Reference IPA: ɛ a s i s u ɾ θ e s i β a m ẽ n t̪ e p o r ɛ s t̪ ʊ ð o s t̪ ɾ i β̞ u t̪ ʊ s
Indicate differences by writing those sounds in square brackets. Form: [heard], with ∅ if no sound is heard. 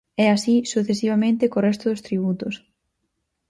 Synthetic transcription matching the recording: ɛ a s i s u [∅] θ e s i β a m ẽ n t̪ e [k] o r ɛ s t̪ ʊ ð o s t̪ ɾ i β̞ u t̪ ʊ s